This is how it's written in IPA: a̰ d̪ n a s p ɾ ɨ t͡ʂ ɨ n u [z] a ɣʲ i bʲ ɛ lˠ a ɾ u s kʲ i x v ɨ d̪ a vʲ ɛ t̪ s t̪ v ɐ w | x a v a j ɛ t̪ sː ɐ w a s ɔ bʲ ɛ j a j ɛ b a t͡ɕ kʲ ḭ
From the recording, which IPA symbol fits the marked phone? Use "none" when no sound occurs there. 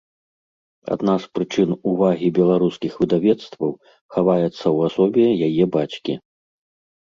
v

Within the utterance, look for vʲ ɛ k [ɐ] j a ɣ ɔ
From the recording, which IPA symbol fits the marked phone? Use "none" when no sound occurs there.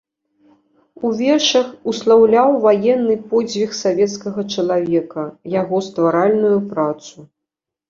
ɐ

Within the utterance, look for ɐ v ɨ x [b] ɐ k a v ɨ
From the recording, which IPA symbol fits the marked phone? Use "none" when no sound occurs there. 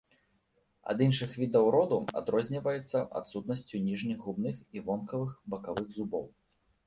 b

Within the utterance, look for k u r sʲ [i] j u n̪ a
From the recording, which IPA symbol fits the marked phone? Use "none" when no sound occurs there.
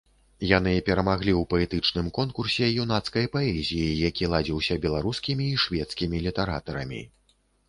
ɛ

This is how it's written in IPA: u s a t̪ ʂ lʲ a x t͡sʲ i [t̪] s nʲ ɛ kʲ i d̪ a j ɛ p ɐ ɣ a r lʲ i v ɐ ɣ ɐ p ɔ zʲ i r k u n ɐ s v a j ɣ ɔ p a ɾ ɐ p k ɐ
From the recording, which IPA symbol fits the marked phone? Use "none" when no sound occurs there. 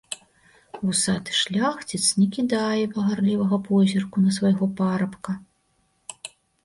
t̪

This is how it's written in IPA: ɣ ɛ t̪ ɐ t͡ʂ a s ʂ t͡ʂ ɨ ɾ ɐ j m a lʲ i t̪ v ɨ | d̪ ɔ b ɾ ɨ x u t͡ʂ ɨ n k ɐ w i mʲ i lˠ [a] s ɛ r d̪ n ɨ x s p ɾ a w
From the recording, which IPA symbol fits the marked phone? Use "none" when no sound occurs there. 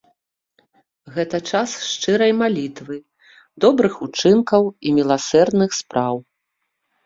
a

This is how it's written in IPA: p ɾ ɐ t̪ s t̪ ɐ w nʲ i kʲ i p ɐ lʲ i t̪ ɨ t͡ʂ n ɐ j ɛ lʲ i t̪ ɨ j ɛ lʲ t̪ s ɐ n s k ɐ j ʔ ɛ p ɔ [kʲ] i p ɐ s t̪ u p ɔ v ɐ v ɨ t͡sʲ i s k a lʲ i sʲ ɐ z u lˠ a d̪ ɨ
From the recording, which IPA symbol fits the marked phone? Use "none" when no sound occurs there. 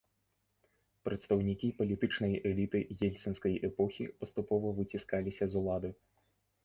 xʲ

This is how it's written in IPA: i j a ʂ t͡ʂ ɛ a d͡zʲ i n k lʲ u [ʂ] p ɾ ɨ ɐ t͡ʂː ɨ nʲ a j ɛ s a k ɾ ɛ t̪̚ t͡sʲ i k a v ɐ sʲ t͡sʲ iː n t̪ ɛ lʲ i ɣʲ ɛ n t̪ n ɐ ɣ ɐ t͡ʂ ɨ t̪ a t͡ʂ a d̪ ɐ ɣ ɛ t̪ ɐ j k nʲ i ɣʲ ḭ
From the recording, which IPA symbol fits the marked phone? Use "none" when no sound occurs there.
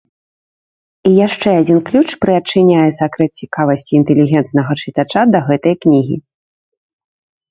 t͡ʂ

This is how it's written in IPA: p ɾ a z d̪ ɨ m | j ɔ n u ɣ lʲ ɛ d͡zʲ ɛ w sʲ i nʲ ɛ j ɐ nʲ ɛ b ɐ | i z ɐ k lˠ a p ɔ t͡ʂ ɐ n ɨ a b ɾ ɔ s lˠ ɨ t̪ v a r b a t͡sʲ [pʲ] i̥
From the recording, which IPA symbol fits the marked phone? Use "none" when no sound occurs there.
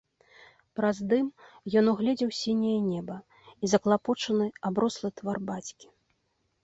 kʲ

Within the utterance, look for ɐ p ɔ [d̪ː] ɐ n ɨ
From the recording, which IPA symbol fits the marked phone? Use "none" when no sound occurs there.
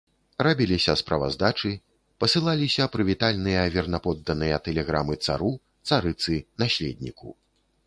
d̪ː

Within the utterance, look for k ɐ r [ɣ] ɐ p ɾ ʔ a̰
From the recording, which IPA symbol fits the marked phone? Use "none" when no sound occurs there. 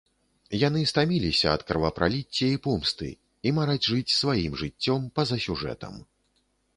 v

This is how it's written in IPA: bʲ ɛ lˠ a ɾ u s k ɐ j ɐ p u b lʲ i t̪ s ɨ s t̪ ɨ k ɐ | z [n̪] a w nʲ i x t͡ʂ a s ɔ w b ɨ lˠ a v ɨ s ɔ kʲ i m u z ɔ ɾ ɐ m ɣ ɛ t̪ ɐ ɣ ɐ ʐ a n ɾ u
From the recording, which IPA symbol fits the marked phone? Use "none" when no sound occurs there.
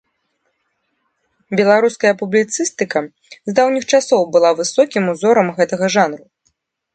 d̪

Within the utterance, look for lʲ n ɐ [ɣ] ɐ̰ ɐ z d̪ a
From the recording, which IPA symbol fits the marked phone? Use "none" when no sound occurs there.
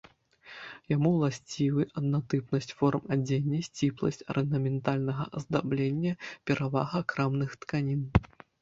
ɣ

